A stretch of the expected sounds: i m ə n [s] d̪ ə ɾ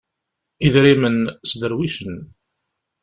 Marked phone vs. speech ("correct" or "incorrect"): correct